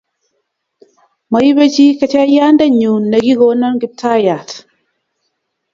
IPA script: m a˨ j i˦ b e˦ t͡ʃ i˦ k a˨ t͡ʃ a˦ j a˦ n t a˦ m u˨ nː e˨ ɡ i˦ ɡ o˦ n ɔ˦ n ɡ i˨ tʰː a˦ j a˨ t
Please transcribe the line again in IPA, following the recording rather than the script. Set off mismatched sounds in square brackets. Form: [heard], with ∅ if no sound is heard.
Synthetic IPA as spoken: m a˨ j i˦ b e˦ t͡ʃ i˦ k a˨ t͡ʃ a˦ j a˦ n [d] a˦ [ɲ] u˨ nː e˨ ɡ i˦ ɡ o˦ n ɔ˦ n ɡ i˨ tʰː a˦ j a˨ t